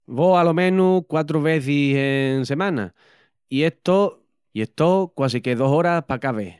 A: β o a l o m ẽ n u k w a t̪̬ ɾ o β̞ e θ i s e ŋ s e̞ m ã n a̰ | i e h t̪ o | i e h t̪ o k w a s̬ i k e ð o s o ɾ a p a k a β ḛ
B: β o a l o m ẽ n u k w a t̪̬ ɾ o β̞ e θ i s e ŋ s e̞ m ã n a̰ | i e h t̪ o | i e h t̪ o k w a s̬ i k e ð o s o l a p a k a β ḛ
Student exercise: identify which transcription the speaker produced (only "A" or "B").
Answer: A